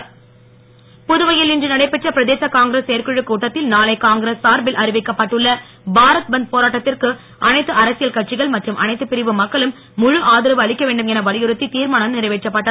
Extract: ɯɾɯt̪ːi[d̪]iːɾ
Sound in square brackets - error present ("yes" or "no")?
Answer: yes